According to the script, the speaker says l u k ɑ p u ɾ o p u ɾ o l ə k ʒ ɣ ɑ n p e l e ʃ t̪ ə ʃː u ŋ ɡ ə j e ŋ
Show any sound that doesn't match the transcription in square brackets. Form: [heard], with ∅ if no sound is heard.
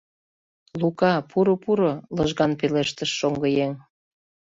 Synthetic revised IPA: l u k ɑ p u ɾ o p u ɾ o l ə [∅] ʒ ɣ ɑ n p e l e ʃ t̪ ə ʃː [o] ŋ ɡ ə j e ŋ